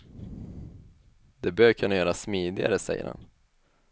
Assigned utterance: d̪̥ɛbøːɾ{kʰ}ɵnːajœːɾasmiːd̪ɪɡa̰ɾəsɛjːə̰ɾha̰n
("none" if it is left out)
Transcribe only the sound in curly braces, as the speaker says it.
kʰ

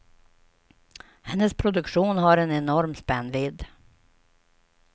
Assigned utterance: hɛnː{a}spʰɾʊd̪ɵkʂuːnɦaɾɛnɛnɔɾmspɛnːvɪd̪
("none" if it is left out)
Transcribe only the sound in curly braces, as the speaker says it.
ə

